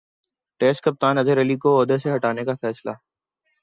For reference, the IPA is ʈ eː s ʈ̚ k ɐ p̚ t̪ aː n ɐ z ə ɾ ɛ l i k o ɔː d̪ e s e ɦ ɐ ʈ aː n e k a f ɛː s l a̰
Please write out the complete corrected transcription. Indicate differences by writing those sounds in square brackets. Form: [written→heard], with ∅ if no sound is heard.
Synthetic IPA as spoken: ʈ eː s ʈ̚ k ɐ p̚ t̪ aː n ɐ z ə ɾ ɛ l i k o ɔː d̪ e s e ɦ ɐ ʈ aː n e k a f ɛː s l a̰